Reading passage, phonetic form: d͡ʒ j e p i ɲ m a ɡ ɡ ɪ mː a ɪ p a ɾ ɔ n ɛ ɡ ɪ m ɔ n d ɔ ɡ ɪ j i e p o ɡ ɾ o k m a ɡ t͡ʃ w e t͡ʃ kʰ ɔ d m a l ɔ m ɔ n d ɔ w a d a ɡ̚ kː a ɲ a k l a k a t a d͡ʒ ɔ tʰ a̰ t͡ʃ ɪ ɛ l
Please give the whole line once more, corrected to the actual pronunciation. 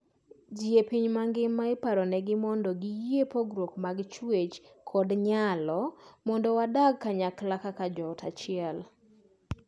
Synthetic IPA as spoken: d͡ʒ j e p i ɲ m a ŋ ɡ ɪ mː a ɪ p a ɾ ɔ n ɛ ɡ ɪ m ɔ n d ɔ ɡ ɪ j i e p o ɡ ɾ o k m a ɡ t͡ʃ w e t͡ʃ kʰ ɔ d ɲ a l ɔ m ɔ n d ɔ w a d a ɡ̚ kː a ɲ a k l a k a k a d͡ʒ ɔ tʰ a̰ t͡ʃ ɪ ɛ l